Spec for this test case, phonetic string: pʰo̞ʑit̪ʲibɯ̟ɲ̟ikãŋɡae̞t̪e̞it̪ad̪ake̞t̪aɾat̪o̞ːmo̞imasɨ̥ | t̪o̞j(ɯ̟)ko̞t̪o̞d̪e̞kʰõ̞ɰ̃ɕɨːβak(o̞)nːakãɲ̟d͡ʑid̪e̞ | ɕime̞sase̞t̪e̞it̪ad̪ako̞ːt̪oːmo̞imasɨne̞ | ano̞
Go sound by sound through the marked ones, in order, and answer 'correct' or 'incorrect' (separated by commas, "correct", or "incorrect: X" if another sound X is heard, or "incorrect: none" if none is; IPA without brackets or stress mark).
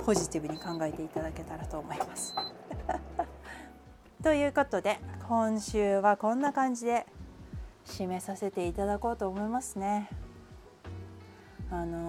incorrect: ɯ̟ː, incorrect: õ̞